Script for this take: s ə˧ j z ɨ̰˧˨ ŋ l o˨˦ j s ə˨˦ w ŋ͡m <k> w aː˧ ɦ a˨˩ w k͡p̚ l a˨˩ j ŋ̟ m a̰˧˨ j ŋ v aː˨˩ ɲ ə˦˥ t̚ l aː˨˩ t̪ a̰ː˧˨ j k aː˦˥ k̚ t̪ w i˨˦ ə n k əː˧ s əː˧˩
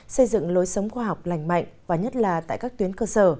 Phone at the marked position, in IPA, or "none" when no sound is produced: x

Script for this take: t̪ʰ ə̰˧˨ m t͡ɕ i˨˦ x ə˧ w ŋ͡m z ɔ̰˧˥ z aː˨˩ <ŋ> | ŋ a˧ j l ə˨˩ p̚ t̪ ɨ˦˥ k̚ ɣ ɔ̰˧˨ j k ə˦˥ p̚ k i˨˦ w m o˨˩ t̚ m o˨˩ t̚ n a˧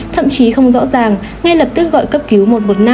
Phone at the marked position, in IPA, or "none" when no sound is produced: ŋ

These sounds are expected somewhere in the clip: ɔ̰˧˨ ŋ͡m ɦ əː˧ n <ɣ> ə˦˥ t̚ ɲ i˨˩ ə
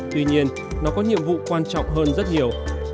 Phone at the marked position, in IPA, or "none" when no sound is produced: z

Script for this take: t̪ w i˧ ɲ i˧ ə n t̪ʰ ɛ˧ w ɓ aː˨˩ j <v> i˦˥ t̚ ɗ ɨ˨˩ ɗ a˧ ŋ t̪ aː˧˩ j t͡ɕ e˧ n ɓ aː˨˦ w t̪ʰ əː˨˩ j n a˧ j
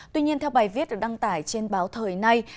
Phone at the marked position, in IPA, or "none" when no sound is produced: v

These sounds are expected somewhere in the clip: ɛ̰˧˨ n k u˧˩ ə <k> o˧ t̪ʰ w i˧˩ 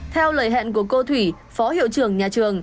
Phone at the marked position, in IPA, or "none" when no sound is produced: k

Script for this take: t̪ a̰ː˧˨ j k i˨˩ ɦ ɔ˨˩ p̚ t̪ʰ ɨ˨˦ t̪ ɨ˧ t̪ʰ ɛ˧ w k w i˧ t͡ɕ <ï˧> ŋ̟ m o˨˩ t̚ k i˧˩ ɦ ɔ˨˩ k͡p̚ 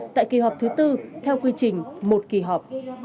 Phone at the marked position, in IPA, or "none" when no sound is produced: ï˨˩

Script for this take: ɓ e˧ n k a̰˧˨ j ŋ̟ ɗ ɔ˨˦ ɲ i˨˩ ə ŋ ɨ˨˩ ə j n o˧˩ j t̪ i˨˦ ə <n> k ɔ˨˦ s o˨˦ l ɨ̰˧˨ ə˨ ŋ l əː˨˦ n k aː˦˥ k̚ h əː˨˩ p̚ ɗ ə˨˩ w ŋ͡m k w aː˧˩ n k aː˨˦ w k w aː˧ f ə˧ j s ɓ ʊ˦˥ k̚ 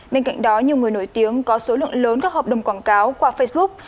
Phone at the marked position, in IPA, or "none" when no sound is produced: ŋ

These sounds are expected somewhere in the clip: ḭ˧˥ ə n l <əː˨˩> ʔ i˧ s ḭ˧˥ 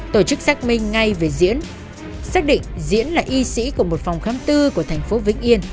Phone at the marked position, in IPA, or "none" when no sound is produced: aː˨˩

